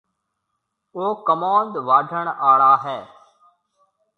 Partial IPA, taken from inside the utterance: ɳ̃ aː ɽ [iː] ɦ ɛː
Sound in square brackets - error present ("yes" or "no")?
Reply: yes